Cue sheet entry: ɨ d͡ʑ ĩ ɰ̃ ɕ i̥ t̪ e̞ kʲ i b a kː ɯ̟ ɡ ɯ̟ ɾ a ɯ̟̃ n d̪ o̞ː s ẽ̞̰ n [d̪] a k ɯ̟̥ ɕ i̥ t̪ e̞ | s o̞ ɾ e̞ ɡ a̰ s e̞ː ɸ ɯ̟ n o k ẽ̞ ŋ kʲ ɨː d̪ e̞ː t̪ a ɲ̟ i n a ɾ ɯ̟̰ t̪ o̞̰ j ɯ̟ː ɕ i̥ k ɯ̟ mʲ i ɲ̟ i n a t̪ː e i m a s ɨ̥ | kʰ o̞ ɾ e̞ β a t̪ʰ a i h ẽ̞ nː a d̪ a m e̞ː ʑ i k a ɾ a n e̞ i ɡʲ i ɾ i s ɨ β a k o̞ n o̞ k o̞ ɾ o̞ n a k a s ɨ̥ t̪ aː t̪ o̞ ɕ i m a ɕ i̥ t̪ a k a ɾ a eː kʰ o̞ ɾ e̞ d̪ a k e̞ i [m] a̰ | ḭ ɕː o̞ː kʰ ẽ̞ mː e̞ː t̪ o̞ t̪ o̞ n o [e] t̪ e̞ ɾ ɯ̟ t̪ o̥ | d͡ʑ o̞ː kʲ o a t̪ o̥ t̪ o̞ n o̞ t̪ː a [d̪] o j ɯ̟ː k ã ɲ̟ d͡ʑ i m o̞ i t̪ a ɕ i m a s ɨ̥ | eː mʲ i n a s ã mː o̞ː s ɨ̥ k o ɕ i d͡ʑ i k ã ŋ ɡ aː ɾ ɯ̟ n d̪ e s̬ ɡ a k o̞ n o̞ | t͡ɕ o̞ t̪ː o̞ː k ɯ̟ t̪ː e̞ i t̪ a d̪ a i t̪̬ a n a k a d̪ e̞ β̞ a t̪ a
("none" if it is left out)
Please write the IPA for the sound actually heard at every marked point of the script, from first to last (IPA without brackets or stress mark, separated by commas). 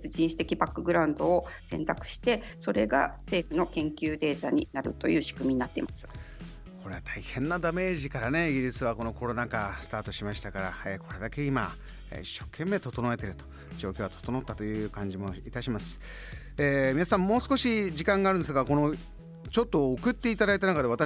t̪, m, e, t̪